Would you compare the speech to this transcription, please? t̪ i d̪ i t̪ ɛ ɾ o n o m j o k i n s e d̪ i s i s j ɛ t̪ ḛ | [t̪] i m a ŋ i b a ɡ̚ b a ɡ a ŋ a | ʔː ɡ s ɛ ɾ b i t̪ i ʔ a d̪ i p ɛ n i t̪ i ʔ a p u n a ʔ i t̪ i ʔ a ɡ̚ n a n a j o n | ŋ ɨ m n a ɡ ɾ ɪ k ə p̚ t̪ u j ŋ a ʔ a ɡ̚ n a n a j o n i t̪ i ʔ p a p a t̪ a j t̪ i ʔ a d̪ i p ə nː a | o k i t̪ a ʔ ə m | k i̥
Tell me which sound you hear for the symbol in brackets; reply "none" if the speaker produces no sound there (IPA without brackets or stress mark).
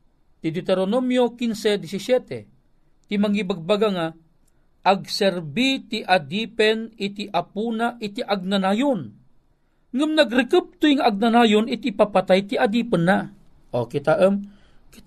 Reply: t̪